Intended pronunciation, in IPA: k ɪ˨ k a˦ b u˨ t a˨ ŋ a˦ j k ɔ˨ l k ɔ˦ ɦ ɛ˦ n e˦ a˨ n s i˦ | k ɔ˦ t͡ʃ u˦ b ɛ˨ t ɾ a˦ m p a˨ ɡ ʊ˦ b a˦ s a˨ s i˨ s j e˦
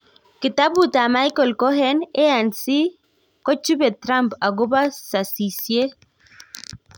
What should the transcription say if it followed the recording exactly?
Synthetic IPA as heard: k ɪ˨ t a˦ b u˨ t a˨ m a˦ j k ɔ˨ l k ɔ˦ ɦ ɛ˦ n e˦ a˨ n s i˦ | k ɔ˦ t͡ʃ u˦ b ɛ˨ t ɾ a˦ m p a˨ ɡ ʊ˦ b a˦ s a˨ s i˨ s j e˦